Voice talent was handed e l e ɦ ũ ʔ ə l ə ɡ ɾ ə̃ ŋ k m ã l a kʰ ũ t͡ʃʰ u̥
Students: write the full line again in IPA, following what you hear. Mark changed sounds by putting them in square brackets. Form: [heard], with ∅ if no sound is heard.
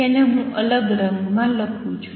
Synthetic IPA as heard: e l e ɦ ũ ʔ ə l ə ɡ ɾ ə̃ ŋ [ɡ] m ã l [ə] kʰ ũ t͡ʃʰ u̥